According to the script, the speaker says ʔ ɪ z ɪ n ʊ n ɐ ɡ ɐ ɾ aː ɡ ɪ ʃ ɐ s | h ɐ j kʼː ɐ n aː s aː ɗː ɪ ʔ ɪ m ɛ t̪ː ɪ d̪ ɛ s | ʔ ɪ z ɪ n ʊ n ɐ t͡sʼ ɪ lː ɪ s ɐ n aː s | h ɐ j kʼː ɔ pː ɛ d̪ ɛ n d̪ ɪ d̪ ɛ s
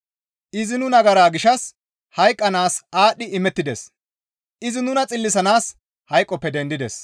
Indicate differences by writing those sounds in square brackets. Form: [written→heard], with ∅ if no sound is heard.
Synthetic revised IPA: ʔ ɪ z ɪ n ʊ n ɐ ɡ ɐ ɾ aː ɡ ɪ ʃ ɐ s | h ɐ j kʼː ɐ n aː s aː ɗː ɪ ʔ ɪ m ɛ t̪ː ɪ d̪ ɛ s | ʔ ɪ z ɪ n ʊ n ɐ t͡sʼ ɪ lː ɪ s ɐ n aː s | h ɐ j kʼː ɔ pː ɛ d̪ ɛ n d̪ ɪ d̪ ɛ s